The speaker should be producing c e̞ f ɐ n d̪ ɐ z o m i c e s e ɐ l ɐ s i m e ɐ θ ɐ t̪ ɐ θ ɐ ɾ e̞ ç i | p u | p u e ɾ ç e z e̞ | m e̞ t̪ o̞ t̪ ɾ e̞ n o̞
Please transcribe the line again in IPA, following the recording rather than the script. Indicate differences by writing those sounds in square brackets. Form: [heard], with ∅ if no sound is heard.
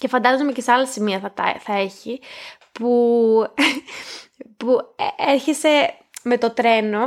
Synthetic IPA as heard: c e̞ f ɐ n d̪ ɐ z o m [e] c e s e ɐ l ɐ s i m [i] ɐ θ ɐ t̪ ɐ θ ɐ [∅] e̞ ç i | p u | p u e ɾ ç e [s] e̞ | m e̞ t̪ o̞ t̪ ɾ e̞ n o̞